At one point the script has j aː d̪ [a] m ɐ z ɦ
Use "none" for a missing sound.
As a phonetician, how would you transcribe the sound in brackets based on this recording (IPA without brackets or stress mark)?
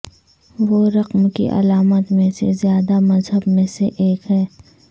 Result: a